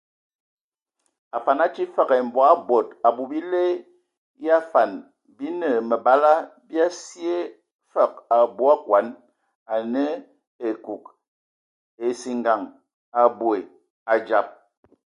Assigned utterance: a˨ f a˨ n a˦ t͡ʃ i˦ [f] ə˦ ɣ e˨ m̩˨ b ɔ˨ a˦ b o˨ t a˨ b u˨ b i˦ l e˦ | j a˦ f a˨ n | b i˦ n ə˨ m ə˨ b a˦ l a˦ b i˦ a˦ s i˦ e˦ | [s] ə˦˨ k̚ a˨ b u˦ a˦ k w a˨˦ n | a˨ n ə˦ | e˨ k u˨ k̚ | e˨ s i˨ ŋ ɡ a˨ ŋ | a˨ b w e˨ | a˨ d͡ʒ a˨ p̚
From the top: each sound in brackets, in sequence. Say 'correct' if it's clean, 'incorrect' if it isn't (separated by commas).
correct, incorrect